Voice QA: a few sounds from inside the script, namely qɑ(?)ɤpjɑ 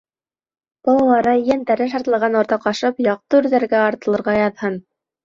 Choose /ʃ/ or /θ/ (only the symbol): ʃ